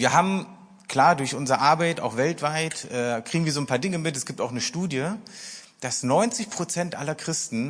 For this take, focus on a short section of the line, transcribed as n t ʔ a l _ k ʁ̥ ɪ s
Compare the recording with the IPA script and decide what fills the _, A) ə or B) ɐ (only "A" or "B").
B